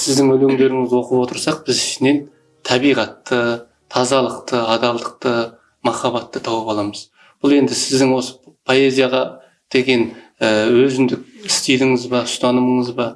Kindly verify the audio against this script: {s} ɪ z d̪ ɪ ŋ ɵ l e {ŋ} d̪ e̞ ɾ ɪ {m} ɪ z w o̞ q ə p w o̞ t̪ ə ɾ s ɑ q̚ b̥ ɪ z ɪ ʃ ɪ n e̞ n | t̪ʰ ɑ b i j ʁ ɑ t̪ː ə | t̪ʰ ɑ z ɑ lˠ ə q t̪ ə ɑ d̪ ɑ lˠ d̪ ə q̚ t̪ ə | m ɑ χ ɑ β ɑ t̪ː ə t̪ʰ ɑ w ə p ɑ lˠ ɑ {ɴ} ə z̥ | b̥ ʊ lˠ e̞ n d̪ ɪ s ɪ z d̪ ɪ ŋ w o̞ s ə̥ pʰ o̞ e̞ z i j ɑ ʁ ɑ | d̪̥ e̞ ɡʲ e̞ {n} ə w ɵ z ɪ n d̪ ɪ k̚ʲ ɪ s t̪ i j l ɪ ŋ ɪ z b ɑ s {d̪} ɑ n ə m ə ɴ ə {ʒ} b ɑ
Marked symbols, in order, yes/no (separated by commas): yes, yes, no, no, yes, no, no